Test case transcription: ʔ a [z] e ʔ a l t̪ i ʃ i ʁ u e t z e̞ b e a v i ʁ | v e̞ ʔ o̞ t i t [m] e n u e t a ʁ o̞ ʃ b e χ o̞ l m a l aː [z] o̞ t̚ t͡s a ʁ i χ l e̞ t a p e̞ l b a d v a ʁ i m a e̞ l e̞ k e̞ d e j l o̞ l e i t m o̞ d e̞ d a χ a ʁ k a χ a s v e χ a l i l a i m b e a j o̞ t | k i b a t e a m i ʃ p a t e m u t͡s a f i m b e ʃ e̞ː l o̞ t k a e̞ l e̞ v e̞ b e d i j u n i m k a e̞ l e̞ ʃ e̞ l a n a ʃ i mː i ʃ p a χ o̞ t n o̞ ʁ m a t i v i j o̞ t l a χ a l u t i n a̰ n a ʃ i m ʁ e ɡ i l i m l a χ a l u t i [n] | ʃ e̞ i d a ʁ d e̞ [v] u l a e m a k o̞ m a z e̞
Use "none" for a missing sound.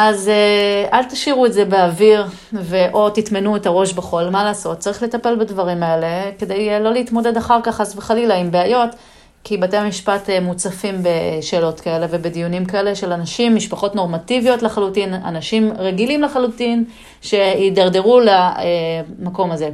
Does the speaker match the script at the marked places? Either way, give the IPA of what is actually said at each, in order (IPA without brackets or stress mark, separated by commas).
z, m, s, n, ʁ